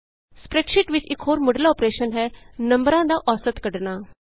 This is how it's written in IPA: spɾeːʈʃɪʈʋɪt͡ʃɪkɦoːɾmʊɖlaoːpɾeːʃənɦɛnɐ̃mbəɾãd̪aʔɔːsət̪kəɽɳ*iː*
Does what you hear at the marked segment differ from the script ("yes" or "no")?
yes